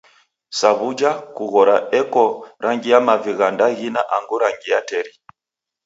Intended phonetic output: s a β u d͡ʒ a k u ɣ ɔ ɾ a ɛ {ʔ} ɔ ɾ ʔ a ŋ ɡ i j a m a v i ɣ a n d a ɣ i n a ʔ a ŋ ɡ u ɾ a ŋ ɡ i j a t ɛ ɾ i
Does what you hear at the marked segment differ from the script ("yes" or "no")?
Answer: yes